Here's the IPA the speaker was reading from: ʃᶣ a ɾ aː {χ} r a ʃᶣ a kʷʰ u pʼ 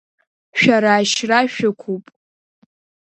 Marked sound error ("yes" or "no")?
yes